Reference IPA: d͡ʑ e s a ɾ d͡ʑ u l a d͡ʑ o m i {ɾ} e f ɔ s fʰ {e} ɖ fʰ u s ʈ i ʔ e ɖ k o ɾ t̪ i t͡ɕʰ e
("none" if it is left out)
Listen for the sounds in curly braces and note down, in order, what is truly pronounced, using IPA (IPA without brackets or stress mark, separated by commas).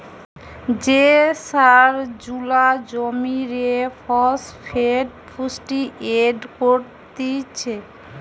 ɾ, e